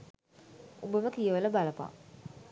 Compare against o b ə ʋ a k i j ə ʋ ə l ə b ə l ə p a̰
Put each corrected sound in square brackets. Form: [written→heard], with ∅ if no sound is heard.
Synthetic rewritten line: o b ə ʋ [a→ə] k i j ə ʋ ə l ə b [ə→a] l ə p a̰